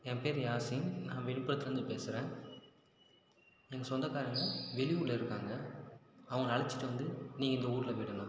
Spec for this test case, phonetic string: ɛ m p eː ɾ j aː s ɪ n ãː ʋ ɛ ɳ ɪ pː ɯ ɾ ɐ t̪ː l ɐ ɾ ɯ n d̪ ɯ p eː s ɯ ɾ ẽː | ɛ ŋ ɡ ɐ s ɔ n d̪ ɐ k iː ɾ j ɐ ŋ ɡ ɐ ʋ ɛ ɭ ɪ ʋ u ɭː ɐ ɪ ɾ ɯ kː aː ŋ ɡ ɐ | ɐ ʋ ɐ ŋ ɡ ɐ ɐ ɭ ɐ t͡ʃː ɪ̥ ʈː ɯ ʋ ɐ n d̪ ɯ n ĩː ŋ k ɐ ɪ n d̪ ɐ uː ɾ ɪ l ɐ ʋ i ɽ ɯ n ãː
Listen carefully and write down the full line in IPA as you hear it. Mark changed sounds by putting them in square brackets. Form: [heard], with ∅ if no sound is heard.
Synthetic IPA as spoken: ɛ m p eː ɾ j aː s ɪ n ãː ʋ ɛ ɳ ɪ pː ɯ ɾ ɐ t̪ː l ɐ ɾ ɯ n d̪ ɯ p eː s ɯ ɾ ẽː | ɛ ŋ ɡ ɐ s ɔ n d̪ ɐ k [aː] ɾ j ɐ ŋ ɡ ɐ ʋ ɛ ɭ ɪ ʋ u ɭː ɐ ɪ ɾ ɯ kː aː ŋ ɡ ɐ | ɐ ʋ ɐ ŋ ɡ ɐ ɐ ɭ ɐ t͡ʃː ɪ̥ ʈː ɯ ʋ ɐ n d̪ ɯ n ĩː ŋ [ɡ] ɐ ɪ n d̪ ɐ uː ɾ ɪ l ɐ ʋ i ɽ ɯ n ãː